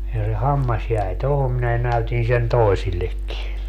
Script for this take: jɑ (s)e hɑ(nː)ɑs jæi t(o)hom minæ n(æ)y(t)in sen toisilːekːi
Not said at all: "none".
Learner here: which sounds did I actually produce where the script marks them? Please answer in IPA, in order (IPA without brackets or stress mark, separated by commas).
s, mː, o, æ, t